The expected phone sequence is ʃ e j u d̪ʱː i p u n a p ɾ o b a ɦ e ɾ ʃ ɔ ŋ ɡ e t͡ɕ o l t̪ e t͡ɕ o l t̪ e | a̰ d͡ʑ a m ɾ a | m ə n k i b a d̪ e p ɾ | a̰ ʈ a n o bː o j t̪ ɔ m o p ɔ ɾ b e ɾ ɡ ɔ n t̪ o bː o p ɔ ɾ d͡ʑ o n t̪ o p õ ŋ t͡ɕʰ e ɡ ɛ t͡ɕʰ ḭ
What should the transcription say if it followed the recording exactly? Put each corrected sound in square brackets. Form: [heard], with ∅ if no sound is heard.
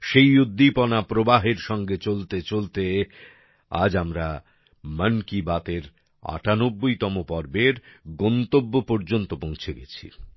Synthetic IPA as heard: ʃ e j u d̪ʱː i p [ɔ] n a p ɾ o b a ɦ e ɾ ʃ ɔ ŋ ɡ e t͡ɕ o l t̪ e t͡ɕ o l t̪ e | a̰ d͡ʑ a m ɾ a | m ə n k i b a [t̪] e [∅] ɾ | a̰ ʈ a n o bː o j t̪ ɔ m o p ɔ ɾ b e ɾ ɡ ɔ n t̪ o bː o p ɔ ɾ d͡ʑ o n t̪ o p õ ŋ t͡ɕʰ e ɡ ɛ t͡ɕʰ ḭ